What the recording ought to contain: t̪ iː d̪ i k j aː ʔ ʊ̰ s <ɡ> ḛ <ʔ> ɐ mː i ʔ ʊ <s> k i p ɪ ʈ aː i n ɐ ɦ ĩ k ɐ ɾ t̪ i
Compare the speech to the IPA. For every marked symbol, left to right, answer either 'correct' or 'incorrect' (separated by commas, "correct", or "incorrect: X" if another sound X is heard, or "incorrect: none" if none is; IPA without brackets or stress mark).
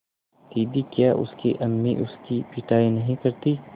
incorrect: k, correct, correct